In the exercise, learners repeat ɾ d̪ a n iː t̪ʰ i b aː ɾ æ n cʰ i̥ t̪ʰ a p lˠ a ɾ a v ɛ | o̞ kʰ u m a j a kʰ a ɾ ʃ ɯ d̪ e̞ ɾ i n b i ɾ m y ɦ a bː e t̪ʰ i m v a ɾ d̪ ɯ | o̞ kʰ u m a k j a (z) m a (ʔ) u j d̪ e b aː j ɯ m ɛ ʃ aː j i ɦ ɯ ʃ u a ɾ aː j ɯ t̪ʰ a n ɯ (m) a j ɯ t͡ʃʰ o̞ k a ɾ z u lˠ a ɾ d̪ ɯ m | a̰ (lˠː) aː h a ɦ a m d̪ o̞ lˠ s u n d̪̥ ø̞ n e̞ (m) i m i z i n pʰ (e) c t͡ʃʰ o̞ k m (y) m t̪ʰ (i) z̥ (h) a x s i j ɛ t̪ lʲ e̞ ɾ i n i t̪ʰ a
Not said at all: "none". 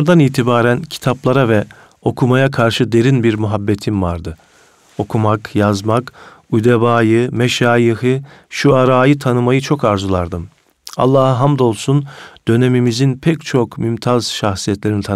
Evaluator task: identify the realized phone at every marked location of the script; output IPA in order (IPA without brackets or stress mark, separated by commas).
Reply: z, k, m, lˠː, m, ɛ, y, a, ʃ